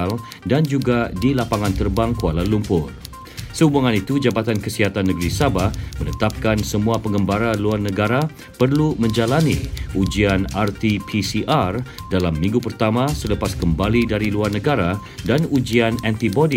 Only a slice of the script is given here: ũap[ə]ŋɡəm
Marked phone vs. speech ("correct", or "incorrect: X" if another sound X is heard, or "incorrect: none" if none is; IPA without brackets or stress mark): correct